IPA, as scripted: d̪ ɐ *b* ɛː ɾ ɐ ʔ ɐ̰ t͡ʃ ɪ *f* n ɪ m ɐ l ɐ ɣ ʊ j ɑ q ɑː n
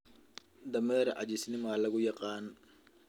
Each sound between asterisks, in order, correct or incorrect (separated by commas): incorrect, incorrect